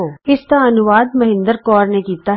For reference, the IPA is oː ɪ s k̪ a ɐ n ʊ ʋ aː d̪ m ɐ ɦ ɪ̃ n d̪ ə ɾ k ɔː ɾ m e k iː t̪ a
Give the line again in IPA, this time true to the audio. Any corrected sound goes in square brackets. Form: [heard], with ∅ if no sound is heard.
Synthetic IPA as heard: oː ɪ s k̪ a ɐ n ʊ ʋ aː d̪ m ɐ ɦ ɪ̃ n d̪ ə ɾ k ɔː ɾ [n] e k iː t̪ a